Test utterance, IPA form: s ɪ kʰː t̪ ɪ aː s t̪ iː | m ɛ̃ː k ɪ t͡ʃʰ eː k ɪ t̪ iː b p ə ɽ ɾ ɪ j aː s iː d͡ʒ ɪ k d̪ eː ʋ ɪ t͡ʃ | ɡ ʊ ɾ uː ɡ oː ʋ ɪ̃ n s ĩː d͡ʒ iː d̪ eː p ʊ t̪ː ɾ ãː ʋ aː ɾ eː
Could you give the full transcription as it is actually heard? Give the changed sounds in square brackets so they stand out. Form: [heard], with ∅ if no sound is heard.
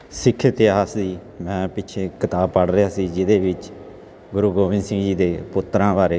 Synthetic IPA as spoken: s ɪ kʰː t̪ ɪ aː s [d̪] iː | m ɛ̃ː [p] ɪ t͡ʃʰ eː k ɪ t̪ [aː] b p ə ɽ ɾ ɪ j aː s iː d͡ʒ ɪ [∅] d̪ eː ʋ ɪ t͡ʃ | ɡ ʊ ɾ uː ɡ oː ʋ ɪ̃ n s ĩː d͡ʒ iː d̪ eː p ʊ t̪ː ɾ ãː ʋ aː ɾ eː

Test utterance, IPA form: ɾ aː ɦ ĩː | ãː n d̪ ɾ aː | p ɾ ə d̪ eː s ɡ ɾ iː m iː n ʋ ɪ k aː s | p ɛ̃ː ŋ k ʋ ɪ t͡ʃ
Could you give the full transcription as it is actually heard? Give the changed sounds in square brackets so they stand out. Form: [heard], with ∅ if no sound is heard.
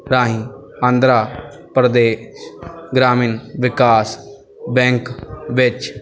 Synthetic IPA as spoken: ɾ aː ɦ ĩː | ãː n d̪ ɾ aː | p ɾ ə d̪ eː [ʃ] ɡ ɾ [aː] m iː n ʋ ɪ k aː s | [b] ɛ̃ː ŋ k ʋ ɪ t͡ʃ

